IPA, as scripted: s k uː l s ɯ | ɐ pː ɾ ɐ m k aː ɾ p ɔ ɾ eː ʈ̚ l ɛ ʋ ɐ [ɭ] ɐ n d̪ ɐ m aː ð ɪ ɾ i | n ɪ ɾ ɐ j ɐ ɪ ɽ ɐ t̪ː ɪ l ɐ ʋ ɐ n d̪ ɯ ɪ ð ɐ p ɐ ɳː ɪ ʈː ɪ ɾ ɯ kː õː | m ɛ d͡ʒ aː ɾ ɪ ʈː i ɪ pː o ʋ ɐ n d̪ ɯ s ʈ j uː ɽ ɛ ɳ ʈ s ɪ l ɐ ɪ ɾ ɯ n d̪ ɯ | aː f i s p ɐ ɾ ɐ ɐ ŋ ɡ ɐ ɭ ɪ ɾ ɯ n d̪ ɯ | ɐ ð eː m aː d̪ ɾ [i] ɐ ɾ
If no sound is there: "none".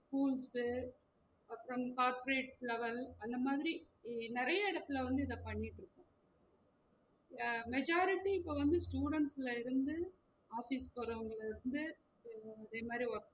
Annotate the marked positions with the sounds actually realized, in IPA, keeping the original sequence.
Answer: l, i

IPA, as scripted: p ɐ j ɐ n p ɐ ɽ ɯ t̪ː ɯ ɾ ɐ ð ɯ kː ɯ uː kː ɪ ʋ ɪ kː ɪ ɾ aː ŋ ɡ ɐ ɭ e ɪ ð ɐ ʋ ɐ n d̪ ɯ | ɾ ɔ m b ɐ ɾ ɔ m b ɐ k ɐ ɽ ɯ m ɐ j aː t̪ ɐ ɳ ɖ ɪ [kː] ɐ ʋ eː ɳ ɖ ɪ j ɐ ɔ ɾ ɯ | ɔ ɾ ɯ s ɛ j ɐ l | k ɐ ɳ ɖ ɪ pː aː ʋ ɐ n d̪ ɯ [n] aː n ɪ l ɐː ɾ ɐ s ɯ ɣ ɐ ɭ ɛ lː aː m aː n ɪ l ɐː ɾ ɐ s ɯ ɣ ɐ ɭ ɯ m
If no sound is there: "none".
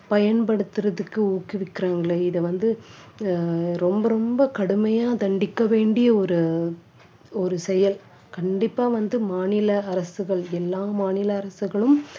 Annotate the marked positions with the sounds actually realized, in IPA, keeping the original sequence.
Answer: kː, m

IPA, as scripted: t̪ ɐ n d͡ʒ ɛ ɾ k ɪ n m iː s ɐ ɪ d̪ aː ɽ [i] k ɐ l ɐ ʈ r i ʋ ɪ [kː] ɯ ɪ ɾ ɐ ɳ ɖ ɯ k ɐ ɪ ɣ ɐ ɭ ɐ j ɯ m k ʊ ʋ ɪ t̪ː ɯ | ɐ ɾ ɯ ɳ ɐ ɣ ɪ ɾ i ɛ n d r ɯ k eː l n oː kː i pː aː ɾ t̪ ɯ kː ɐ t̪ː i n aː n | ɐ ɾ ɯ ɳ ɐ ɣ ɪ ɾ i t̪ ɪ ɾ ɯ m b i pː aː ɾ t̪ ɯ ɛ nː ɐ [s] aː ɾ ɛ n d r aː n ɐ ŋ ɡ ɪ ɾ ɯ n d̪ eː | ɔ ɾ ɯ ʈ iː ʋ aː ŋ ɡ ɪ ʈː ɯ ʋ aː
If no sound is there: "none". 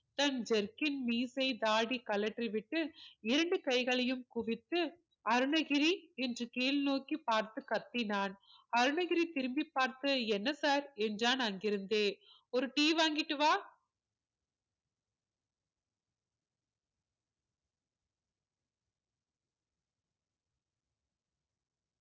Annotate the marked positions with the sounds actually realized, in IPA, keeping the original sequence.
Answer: i, ʈː, s

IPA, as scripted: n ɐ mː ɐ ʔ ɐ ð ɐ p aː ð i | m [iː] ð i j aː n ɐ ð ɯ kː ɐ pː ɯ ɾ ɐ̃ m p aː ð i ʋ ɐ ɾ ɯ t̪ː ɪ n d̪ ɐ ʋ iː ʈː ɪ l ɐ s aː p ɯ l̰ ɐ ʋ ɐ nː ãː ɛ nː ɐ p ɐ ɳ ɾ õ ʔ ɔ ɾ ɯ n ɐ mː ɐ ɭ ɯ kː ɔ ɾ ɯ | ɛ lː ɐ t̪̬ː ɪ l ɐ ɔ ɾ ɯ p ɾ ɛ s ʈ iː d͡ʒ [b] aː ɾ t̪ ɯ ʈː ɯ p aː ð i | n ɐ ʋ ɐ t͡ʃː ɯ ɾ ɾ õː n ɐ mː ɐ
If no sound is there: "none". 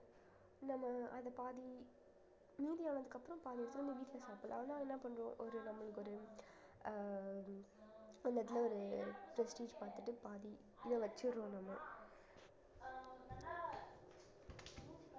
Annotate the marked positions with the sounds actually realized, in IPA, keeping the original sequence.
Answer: iː, p

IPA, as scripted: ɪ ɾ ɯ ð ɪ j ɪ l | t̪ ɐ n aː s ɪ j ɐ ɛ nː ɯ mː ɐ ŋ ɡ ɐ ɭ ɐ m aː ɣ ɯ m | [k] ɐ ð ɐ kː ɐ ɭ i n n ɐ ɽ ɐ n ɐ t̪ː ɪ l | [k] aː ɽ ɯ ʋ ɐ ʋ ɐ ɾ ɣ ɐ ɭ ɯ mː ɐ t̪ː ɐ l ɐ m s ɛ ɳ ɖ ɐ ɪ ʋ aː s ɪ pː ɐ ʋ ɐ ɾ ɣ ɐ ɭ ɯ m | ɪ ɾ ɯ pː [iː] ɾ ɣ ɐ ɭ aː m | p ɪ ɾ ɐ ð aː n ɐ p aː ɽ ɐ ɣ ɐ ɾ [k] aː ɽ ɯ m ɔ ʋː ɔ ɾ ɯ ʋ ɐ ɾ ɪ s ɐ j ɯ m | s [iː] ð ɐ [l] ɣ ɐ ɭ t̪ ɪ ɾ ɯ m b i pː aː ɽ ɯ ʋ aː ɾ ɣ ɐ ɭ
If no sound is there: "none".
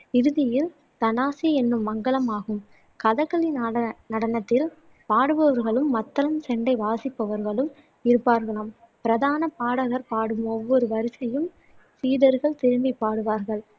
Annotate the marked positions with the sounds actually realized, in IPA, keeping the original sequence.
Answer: k, p, aː, p, iː, ɾ

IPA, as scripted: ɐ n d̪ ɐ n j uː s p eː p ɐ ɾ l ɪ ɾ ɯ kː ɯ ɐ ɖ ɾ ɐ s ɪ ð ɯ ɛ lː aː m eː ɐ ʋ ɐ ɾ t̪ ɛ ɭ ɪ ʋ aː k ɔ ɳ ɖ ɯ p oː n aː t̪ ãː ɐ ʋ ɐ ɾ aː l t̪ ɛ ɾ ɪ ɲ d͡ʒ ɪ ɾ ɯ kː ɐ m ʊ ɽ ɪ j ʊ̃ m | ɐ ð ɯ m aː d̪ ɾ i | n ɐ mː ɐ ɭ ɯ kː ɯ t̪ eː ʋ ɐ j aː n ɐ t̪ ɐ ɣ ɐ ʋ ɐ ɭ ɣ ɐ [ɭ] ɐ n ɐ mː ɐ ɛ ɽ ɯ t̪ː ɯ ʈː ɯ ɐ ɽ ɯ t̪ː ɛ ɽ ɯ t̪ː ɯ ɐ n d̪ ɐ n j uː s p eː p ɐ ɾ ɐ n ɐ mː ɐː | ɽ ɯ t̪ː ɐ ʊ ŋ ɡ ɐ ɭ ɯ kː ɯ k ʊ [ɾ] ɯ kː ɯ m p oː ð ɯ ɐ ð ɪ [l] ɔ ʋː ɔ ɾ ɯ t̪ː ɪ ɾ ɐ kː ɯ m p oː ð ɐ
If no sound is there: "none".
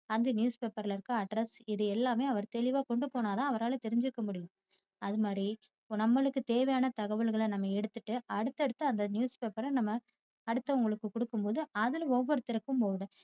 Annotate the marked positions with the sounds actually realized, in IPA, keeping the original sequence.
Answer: ɭ, ɽ, l

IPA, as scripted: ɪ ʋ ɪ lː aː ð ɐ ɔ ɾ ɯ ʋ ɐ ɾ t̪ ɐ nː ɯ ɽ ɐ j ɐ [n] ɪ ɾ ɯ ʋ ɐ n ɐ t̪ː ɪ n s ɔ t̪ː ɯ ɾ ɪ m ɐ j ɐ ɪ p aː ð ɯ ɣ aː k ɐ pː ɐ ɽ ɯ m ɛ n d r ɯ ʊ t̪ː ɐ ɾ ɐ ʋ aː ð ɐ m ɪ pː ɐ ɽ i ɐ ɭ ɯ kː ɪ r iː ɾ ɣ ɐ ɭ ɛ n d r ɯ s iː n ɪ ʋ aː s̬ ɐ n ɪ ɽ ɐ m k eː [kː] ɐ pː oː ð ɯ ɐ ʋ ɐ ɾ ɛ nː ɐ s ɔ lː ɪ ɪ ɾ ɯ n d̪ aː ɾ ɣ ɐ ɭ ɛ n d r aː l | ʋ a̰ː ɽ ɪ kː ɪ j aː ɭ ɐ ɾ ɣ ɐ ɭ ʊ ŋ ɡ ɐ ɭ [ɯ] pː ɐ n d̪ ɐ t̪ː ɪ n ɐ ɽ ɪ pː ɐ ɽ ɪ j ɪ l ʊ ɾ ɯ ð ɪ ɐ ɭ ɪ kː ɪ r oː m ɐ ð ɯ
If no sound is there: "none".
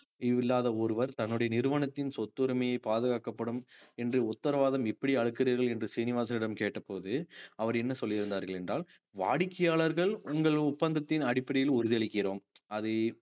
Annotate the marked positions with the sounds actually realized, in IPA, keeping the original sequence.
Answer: n, ʈː, ʊ

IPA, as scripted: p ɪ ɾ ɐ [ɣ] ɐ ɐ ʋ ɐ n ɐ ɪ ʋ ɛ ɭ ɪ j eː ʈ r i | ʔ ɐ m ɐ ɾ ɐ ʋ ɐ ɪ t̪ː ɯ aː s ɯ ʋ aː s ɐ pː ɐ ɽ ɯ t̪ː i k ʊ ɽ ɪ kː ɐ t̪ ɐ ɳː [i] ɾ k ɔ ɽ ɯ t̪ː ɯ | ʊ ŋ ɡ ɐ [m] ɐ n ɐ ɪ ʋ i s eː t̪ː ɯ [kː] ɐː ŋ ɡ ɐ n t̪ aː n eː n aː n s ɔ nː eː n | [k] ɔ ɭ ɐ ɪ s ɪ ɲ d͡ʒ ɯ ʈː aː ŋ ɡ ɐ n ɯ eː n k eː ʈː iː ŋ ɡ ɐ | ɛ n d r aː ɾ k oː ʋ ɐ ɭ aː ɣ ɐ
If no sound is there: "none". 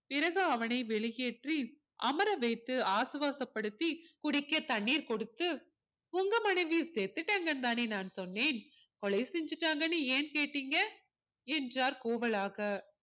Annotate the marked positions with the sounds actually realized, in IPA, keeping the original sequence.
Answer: ɣ, iː, m, ʈː, k

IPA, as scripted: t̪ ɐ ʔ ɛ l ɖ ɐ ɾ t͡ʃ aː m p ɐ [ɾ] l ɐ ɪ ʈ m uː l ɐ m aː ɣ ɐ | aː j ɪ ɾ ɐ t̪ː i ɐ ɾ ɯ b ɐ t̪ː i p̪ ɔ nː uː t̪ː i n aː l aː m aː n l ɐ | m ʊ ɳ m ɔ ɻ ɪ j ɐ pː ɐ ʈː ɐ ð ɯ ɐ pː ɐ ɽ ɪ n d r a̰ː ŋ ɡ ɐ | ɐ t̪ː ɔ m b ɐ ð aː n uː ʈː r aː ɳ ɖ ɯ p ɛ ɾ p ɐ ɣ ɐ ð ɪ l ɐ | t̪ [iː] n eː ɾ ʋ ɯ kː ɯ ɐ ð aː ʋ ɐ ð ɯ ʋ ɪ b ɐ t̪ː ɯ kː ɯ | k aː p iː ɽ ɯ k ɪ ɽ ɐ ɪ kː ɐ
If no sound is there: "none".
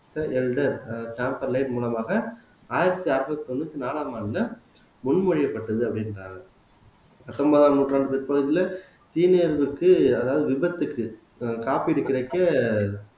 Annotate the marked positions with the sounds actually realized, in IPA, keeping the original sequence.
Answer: ɾ, iː

